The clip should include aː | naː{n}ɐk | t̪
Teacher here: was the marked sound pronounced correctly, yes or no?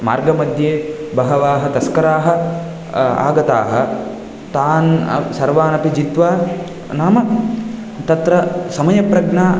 no